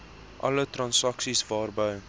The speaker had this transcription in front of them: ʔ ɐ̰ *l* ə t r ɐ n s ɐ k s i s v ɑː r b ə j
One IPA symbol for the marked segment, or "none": l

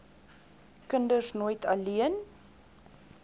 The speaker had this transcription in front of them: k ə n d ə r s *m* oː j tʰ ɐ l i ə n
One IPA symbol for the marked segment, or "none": n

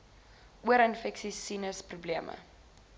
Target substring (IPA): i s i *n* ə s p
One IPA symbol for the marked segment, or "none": n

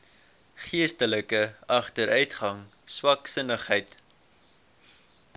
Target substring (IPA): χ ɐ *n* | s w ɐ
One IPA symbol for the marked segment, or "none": ŋ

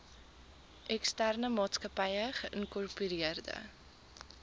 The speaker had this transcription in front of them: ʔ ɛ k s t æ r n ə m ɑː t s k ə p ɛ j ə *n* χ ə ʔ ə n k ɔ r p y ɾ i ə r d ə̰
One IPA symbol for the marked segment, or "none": none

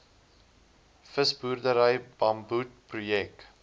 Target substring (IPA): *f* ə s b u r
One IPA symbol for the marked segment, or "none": f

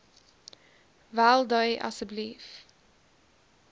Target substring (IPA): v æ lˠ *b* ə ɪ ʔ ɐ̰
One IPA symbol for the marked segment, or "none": d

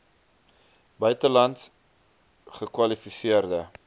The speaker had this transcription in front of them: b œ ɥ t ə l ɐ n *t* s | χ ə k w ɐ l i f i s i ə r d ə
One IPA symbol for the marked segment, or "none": t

